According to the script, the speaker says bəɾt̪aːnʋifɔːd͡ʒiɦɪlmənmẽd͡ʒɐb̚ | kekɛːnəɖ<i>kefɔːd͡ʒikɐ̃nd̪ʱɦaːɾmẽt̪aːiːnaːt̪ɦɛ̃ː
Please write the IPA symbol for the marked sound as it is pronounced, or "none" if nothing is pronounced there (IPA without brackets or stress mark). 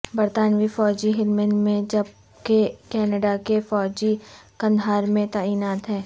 a